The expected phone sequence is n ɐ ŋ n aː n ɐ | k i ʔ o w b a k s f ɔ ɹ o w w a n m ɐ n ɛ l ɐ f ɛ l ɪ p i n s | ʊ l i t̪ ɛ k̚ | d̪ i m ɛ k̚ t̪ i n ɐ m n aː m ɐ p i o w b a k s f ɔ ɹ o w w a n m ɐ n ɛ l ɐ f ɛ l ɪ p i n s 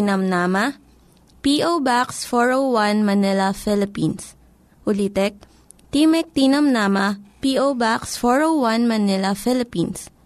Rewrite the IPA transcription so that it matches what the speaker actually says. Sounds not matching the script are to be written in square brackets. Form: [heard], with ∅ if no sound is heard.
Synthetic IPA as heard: n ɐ [m] n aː [m] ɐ | [p] i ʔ o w b a k s f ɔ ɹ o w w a n m ɐ n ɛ l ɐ f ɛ l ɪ p i n s | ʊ l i t̪ ɛ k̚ | [t̪] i m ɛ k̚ t̪ i n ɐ m n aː m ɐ p i o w b a k s f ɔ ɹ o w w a n m ɐ n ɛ l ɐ f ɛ l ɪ p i n s